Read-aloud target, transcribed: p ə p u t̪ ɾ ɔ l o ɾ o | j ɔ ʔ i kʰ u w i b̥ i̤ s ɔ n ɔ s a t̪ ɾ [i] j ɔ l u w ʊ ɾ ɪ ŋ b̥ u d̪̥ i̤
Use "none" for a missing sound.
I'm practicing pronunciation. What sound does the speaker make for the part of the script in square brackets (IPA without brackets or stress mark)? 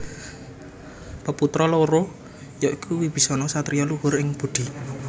i